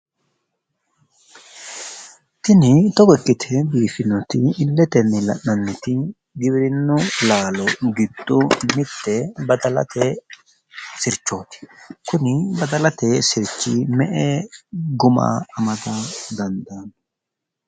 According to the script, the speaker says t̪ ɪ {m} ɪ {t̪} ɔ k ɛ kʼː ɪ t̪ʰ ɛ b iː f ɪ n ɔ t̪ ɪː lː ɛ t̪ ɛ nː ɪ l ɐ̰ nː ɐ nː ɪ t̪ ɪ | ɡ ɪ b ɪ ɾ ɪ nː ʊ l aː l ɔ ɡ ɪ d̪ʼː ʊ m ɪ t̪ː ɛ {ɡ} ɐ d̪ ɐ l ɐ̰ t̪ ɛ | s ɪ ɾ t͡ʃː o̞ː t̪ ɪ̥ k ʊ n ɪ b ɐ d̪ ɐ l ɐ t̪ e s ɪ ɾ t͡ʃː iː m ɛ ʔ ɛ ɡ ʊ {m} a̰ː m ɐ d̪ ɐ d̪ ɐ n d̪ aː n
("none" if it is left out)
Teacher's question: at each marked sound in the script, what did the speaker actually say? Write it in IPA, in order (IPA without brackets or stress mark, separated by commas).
n, t̪, b, m